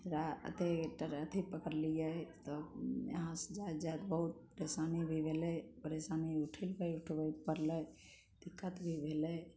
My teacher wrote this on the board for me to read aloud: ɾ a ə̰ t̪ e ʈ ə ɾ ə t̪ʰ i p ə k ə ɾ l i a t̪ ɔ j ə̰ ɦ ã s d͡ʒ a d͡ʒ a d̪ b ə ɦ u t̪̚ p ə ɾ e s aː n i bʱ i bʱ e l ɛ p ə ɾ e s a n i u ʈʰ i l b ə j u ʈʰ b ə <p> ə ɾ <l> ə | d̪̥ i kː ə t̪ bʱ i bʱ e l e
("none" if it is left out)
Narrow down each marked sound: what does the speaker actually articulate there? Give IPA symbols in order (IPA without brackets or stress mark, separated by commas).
p, l